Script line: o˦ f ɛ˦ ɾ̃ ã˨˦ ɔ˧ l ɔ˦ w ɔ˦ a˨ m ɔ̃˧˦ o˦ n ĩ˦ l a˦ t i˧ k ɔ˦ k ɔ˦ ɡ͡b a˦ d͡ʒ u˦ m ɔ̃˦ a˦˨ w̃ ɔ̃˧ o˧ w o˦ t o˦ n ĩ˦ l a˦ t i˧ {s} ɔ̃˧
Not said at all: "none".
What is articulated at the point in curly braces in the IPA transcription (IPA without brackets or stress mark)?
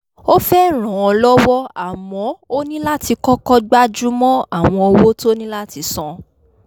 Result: s